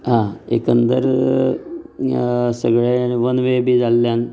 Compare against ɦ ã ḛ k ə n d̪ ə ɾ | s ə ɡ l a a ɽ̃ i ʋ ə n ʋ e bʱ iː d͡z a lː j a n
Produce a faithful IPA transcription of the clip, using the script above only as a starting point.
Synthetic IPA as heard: ɦ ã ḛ k ə n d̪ ə ɾ | s ə ɡ ɭ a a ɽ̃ i ʋ ə n ʋ e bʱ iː d͡z a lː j a n